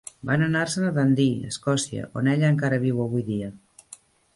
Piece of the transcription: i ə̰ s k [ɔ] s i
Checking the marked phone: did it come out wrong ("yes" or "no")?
no